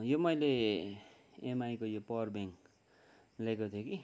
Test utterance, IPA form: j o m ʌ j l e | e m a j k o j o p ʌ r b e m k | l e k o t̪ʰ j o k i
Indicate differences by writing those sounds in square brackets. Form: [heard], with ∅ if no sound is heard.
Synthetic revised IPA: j o m ʌ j l e | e m a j k o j o p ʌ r b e [ŋ] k | l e k o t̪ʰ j o k i